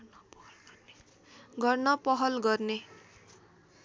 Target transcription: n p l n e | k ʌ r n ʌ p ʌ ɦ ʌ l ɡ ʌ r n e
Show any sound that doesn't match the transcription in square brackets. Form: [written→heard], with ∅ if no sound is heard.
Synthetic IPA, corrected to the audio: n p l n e | [k→ɡ] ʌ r n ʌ p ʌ ɦ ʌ l ɡ ʌ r n e

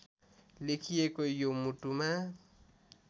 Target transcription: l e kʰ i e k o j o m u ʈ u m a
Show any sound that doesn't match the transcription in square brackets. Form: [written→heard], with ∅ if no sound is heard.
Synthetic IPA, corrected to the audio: l e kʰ i e k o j o m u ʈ u m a

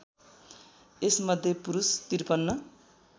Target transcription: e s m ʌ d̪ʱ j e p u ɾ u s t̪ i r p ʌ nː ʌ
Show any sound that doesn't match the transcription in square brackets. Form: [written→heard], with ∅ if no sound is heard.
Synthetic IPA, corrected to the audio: e s m ʌ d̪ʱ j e p u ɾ u s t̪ i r p ʌ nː ʌ

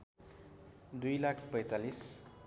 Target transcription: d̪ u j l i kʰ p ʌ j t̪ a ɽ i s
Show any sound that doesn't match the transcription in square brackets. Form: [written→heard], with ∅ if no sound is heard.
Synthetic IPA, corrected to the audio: d̪ u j l [i→a] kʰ p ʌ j t̪ a [ɽ→l] i s

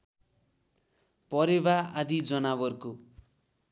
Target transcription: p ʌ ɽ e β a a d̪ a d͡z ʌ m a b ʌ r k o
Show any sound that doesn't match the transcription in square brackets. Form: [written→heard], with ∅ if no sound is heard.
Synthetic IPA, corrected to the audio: p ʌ [ɽ→ɾ] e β a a d̪ [a→i] d͡z ʌ [m→n] a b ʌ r k o

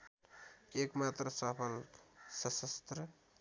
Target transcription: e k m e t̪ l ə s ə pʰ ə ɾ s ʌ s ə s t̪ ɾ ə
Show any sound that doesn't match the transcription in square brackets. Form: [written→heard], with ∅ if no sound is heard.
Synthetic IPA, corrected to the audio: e k m [e→a] t̪ [l→ɾ] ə s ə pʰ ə [ɾ→l] s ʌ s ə s t̪ ɾ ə

